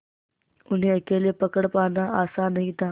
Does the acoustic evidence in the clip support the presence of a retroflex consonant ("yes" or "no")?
yes